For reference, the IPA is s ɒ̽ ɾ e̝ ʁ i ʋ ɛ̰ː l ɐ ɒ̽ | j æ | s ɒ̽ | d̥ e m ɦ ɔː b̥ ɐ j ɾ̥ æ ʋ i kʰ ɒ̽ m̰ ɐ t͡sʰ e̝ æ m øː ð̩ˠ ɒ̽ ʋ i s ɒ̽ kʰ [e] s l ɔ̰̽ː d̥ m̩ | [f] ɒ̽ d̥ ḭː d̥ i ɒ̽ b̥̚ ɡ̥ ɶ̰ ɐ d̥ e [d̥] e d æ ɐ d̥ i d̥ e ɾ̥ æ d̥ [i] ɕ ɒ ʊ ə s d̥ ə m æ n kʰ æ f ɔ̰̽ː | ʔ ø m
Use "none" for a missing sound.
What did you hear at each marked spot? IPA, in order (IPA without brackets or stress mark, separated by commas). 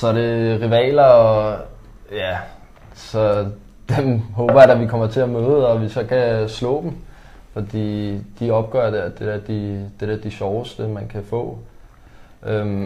æ, f, d̥, i